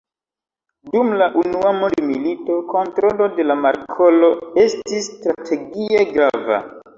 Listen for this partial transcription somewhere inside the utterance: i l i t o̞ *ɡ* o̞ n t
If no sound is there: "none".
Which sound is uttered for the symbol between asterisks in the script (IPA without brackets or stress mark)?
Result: k